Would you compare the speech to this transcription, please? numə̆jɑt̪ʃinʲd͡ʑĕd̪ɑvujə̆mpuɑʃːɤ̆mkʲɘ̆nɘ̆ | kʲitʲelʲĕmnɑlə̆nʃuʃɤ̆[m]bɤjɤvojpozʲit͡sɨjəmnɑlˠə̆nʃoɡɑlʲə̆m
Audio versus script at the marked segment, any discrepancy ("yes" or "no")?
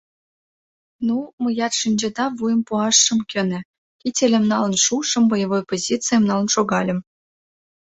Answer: no